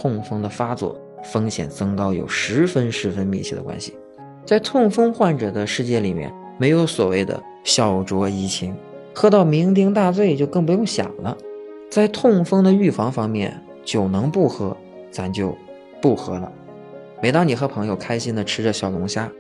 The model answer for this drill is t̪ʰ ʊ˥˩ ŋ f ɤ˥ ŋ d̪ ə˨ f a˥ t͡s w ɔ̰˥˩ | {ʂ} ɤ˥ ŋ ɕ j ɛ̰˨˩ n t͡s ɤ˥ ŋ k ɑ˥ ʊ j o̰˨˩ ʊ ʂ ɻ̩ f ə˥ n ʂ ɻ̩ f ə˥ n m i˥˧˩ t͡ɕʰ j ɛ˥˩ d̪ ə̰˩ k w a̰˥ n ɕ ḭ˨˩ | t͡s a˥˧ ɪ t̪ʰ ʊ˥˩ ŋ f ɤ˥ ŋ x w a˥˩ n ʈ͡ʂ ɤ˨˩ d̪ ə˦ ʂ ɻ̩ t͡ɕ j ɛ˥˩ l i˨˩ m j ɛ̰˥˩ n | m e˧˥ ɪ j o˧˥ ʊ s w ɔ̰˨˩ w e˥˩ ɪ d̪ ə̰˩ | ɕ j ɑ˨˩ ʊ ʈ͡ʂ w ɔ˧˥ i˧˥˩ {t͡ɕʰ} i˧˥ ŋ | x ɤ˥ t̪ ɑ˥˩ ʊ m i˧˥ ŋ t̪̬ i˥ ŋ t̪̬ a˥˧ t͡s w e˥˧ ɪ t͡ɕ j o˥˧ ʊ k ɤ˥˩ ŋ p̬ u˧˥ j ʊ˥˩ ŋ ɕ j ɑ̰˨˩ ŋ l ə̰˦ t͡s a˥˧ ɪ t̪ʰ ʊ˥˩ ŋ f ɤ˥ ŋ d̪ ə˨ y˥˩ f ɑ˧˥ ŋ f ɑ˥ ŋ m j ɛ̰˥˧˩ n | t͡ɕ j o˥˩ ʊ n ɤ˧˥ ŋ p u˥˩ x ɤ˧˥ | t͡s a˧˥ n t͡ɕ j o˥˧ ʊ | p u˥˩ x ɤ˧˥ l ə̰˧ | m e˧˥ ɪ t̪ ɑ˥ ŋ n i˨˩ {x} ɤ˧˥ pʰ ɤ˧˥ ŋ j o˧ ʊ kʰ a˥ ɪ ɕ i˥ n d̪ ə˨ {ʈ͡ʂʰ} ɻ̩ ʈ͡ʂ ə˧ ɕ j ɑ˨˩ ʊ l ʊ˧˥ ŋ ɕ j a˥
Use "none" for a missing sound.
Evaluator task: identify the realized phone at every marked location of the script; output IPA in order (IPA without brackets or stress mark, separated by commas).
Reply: f, t͡ɕʰ, x, ʈ͡ʂʰ